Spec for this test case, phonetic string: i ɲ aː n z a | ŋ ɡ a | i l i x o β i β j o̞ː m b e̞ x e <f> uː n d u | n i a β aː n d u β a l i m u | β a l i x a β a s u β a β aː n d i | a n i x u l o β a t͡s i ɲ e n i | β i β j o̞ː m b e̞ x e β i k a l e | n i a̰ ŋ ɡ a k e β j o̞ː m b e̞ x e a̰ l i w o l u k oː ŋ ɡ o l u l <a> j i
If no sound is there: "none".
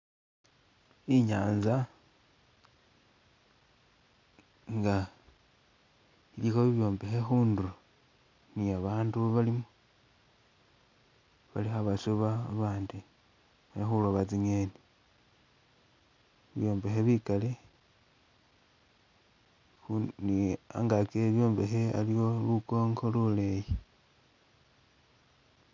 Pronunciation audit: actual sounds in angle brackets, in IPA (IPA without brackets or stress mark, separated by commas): x, e